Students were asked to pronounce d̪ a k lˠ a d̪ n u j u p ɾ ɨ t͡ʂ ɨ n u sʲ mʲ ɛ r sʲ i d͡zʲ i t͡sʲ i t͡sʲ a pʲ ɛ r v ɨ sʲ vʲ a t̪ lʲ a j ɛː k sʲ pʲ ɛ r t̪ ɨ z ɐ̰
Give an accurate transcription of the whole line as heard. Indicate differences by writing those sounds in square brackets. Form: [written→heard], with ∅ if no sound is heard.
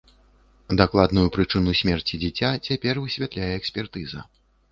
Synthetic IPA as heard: d̪ a k lˠ a d̪ n u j u p ɾ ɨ t͡ʂ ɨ n u sʲ mʲ ɛ r [sʲ→t͡sʲ] i d͡zʲ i t͡sʲ [i→a] t͡sʲ a pʲ ɛ r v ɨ sʲ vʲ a t̪ lʲ a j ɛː k sʲ pʲ ɛ r t̪ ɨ z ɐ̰